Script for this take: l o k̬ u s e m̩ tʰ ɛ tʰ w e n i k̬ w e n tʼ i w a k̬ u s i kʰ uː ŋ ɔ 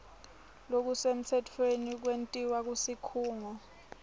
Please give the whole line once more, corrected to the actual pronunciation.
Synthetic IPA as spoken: l o k̬ u s e m̩ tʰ ɛ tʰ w e n i k̬ w e n tʼ i w a k̬ u s i kʰ uː ŋ ɔ